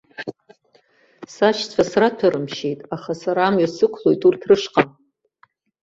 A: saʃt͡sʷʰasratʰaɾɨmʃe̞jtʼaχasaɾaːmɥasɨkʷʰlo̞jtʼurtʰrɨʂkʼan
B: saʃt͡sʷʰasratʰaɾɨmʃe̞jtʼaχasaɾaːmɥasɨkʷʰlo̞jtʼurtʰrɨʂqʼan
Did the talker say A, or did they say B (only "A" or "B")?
B